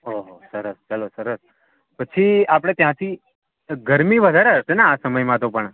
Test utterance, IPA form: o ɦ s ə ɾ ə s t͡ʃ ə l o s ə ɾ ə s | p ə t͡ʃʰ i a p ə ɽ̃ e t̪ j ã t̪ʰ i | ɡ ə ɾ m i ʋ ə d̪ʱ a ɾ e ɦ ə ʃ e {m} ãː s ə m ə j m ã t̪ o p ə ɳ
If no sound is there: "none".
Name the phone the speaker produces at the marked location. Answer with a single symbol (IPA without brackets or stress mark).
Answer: n